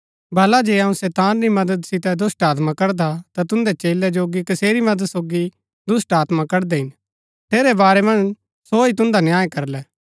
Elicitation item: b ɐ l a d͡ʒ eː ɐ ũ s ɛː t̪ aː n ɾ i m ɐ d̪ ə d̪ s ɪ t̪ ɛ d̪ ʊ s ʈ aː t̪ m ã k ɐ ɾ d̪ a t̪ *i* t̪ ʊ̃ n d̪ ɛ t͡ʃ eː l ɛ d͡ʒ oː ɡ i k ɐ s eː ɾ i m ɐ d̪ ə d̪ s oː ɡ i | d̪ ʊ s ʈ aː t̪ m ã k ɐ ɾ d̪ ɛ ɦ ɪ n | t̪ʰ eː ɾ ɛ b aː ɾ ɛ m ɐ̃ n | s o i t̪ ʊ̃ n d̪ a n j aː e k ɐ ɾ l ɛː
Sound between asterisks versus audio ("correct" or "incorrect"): incorrect